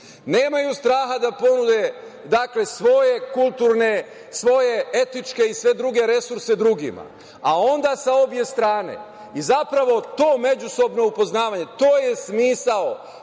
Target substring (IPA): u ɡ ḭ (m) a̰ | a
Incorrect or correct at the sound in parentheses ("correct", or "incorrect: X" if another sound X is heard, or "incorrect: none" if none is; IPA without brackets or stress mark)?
correct